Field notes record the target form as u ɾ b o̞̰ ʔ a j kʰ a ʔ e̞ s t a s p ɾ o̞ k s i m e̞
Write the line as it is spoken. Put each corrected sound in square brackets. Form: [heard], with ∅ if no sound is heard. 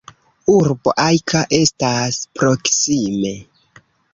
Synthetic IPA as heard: u ɾ b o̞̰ ʔ a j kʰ a ʔ e̞ s t a s p ɾ o̞ k s i m e̞